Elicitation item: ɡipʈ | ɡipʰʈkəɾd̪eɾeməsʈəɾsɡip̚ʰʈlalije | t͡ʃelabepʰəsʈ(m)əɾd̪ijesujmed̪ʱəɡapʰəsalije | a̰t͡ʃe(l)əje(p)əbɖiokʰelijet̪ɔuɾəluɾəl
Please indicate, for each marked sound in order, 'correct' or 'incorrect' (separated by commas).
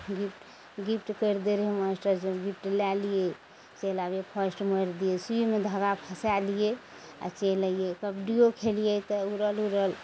correct, correct, incorrect